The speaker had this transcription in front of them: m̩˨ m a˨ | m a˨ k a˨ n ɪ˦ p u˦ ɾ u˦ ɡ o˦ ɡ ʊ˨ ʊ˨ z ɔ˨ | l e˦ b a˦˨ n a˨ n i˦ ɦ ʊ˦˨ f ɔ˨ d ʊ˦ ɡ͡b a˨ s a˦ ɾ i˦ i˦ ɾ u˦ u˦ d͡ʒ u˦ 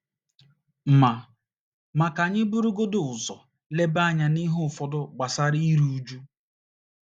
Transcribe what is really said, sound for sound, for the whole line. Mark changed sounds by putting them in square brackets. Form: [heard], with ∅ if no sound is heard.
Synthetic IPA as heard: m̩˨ m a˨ | m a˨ k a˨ [ɲ] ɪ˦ [b] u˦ ɾ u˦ ɡ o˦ [d] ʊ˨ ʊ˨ z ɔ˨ | l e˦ b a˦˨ [ɲ] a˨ n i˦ ɦ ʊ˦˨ f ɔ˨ d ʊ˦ ɡ͡b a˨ s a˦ ɾ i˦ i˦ ɾ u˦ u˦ d͡ʒ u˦